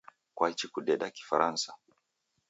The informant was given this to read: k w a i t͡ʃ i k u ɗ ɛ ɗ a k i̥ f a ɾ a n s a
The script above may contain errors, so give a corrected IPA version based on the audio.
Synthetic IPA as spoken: k w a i t͡ʃ i k u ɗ ɛ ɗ a k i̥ f a ɾ a n s a